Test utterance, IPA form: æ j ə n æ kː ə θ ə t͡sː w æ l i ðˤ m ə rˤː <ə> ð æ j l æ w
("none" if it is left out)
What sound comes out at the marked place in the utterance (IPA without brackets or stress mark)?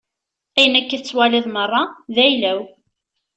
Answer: ɑ